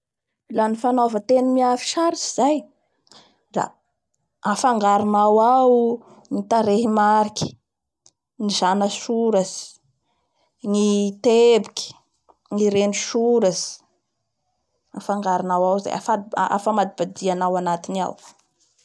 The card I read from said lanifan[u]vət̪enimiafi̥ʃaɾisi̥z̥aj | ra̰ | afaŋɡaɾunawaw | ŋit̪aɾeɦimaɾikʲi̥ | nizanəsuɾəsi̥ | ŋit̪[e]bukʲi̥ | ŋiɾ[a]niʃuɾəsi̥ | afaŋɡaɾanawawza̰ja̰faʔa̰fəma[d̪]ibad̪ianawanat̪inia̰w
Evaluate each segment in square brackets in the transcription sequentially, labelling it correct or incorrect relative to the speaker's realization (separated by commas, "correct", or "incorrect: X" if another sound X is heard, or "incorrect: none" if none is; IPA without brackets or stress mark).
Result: incorrect: o, correct, incorrect: e, correct